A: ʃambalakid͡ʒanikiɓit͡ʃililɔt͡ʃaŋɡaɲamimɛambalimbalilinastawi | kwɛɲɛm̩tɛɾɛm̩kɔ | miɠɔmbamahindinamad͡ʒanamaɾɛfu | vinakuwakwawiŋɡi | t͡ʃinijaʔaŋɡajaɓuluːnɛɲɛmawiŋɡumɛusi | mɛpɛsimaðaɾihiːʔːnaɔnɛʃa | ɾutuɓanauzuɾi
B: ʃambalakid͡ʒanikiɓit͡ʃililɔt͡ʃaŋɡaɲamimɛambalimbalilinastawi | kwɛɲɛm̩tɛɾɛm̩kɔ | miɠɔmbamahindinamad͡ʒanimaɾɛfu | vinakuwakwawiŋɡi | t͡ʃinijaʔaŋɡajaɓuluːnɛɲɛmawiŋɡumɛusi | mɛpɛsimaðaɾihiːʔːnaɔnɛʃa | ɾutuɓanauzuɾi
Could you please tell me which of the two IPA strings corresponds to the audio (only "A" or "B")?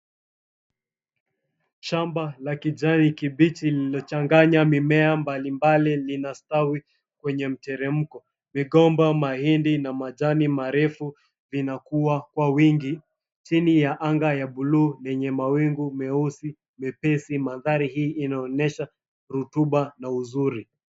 B